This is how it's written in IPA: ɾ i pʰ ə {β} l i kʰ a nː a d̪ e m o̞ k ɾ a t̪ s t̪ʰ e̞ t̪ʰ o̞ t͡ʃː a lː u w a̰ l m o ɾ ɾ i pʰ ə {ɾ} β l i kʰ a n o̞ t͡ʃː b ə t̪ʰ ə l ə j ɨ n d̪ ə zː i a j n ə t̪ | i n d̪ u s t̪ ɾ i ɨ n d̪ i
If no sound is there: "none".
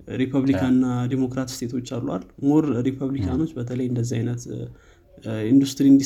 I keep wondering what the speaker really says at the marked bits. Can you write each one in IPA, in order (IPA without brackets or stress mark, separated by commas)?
β, none